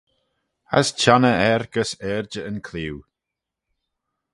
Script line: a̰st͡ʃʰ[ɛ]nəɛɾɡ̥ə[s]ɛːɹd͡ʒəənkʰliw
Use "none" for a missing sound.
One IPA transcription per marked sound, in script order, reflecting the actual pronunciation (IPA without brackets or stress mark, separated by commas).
a, s